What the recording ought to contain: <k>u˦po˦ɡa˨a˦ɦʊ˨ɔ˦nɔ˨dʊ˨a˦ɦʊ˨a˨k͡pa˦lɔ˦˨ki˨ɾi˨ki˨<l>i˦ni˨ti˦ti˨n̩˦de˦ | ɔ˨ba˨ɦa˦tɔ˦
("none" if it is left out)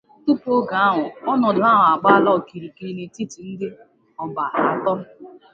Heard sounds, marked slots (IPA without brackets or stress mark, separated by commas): t, ɾ